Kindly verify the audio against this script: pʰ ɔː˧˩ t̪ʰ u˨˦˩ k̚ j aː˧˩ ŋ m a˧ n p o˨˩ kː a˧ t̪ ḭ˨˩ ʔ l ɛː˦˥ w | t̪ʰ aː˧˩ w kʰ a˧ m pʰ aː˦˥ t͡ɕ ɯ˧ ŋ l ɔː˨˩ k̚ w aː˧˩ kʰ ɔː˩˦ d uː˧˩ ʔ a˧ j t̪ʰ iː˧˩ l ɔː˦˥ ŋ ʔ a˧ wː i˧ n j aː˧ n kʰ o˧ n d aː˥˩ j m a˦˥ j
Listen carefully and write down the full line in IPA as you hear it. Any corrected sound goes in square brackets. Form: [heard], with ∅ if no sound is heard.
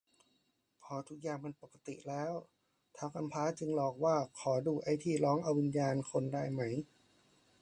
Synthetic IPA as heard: pʰ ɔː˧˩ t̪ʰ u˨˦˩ k̚ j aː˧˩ ŋ m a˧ n p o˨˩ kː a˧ t̪ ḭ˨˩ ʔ l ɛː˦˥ w | t̪ʰ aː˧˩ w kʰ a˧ m pʰ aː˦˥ t͡ɕ ɯ˧ ŋ l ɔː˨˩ k̚ w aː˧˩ kʰ ɔː˩˦ d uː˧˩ ʔ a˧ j t̪ʰ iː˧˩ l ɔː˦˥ ŋ ʔ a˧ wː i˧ n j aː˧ n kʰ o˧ n d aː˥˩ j m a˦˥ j